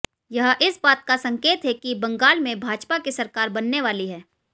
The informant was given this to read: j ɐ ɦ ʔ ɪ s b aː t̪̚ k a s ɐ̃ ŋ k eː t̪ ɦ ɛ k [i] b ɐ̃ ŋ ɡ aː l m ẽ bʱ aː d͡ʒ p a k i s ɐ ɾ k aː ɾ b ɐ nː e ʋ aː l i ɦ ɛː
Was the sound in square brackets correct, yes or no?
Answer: yes